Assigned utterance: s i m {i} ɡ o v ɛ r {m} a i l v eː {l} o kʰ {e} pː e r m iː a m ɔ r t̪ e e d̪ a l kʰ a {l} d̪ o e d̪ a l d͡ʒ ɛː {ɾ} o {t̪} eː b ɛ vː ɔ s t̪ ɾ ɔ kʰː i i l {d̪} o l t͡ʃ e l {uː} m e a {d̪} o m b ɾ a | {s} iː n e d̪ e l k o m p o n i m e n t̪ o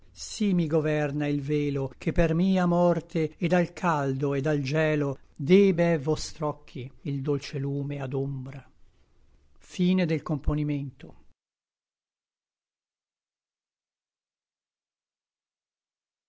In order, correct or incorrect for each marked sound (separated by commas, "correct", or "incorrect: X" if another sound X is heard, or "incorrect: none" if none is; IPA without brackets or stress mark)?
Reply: correct, incorrect: n, correct, correct, correct, incorrect: l, incorrect: d̪, correct, correct, correct, incorrect: f